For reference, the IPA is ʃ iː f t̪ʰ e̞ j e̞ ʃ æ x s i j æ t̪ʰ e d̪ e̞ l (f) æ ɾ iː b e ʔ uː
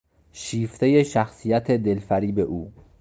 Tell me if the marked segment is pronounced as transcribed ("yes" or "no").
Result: yes